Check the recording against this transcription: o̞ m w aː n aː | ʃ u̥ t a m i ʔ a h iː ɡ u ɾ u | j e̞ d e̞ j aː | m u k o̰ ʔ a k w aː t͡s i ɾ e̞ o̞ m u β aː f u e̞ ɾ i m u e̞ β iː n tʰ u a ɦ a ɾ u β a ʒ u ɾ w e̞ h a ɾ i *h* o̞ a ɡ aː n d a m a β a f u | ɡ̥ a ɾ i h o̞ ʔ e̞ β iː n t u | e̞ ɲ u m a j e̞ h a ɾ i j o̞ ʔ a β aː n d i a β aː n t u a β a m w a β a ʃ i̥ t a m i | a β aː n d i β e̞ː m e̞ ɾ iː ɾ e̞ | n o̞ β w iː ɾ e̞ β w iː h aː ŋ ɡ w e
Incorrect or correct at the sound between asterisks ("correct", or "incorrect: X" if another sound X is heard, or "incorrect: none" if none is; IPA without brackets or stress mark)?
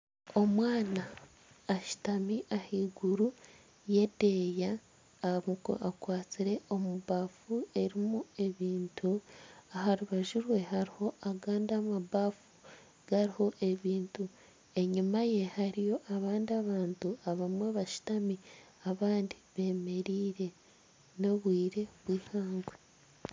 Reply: correct